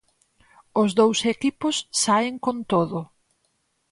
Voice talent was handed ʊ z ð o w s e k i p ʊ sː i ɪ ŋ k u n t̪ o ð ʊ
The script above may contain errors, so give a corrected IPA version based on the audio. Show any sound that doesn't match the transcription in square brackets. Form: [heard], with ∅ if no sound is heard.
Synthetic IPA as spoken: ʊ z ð o w s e k i p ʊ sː [a] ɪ ŋ k [o] n t̪ o ð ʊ